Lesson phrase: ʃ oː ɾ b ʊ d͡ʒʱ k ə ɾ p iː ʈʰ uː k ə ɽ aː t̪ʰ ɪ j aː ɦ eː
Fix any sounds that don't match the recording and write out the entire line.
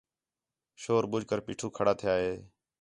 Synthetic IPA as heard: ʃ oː ɾ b ʊ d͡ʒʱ k ə ɾ p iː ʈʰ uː kʰ ə ɽ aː t̪ʰ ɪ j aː ɦ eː